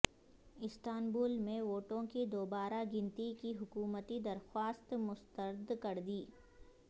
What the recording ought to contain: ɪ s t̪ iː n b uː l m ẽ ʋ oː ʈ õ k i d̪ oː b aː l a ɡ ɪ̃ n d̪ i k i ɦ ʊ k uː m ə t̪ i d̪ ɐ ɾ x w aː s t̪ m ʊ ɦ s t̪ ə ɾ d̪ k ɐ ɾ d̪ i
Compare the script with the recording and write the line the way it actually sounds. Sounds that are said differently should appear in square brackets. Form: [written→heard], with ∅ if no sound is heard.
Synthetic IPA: ɪ s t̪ [iː→aː] n b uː l m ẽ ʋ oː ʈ õ k i d̪ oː b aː [l→ɾ] a ɡ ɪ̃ n [d̪→t̪] i k i ɦ ʊ k uː m ə t̪ i d̪ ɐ ɾ x w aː s t̪ m ʊ [ɦ→∅] s t̪ ə ɾ d̪ k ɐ ɾ d̪ [i→iː]